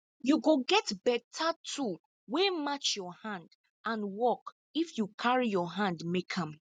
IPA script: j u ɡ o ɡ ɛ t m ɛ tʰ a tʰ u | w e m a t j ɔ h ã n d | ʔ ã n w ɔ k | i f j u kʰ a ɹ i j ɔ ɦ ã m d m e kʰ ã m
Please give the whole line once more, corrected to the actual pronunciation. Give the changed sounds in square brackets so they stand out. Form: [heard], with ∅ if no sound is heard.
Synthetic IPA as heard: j u ɡ o ɡ ɛ t [b] ɛ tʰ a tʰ u | w e m a [t͡ʃ] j ɔ h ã n d | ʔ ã n w ɔ k | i f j u kʰ a ɹ i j ɔ ɦ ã [n] d m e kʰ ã m